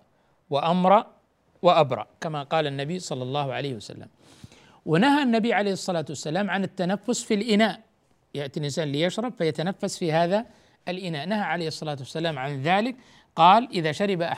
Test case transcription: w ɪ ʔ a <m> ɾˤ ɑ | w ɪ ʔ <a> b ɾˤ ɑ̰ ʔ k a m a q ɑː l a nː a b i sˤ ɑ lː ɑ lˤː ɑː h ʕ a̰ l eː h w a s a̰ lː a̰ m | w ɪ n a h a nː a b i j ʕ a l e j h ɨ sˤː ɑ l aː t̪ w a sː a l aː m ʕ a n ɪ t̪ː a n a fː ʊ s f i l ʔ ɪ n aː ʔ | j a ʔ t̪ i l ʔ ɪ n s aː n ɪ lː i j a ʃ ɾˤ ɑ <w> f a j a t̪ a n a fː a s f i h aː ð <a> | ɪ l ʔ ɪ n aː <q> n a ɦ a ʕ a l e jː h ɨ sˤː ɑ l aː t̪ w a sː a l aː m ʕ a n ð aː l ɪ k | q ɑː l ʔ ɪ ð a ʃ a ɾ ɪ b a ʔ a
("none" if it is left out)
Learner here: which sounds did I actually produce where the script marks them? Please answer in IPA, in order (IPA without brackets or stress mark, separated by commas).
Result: m, a, b, a, ʔ